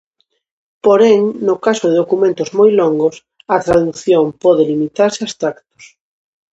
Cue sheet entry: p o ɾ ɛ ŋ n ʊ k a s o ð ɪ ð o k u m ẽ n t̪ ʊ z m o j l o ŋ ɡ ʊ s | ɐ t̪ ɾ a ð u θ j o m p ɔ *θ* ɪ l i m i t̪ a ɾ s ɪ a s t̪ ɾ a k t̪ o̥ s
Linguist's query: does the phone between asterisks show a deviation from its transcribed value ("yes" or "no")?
yes